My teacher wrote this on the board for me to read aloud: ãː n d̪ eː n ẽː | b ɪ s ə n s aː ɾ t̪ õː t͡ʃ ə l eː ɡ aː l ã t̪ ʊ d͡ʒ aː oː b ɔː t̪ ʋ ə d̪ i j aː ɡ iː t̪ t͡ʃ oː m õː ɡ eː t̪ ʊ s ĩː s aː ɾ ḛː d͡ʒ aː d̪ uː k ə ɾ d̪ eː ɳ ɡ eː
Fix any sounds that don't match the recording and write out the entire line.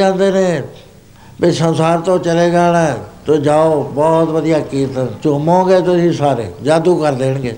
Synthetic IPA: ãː n d̪ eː n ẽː | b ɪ s ə n s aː ɾ t̪ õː t͡ʃ ə l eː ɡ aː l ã t̪ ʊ d͡ʒ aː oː b ɔː t̪ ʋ ə d̪ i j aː k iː t̪ t͡ʃ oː m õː ɡ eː t̪ ʊ s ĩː s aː ɾ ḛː d͡ʒ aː d̪ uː k ə ɾ d̪ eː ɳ ɡ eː